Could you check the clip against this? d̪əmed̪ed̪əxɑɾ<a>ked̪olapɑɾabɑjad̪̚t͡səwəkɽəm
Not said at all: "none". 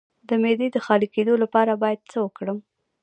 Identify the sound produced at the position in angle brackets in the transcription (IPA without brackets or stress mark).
i